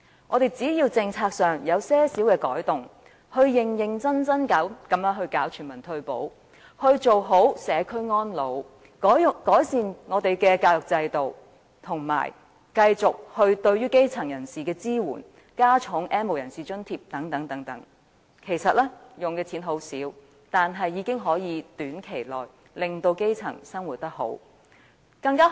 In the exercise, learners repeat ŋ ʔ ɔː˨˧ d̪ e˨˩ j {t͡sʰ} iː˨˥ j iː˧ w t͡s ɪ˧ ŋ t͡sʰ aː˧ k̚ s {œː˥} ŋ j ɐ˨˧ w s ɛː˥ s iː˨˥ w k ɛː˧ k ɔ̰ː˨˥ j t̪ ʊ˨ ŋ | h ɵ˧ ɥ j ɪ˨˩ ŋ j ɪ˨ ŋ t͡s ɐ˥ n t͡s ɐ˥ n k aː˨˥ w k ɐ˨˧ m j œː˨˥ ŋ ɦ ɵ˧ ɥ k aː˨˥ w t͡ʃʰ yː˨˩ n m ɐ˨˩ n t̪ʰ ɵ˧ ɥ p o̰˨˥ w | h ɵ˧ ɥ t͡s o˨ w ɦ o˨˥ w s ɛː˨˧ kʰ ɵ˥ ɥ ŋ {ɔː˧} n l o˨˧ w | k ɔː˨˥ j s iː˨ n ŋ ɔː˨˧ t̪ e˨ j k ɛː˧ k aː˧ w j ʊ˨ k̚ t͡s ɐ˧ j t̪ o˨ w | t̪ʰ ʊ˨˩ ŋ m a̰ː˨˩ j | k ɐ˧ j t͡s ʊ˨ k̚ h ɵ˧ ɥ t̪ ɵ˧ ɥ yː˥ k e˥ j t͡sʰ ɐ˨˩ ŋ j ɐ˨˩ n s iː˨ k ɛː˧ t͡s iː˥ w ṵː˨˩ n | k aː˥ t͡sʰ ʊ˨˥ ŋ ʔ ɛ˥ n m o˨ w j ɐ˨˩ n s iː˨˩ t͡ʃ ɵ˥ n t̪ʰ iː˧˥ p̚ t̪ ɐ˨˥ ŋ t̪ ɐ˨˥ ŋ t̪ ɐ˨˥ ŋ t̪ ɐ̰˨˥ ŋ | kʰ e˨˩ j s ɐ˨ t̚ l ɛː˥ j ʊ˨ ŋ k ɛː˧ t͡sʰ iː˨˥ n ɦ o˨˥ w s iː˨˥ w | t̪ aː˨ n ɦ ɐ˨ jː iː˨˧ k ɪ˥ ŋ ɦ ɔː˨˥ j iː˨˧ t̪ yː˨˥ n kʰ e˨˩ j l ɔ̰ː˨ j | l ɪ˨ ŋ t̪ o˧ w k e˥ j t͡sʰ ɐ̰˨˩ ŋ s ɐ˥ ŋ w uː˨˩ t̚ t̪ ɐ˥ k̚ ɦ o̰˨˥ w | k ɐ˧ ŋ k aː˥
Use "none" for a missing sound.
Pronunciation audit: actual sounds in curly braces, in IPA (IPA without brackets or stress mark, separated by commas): t͡s, œː˨, ɔː˥